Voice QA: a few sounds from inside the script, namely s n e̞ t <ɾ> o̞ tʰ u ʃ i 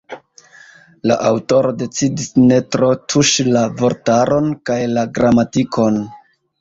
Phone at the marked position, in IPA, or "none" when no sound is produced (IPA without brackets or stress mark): ɾ